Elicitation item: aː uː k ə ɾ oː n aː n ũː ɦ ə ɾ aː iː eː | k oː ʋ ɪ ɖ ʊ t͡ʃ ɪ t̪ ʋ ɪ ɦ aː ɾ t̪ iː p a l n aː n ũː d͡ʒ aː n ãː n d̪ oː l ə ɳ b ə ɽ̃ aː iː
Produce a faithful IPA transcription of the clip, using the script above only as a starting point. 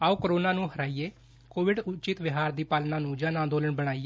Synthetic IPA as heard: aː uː k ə ɾ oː n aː n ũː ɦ ə ɾ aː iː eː | k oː ʋ ɪ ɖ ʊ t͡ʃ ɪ t̪ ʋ ɪ ɦ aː ɾ d̪ iː p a l n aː n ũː d͡ʒ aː n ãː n d̪ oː l ə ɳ b ə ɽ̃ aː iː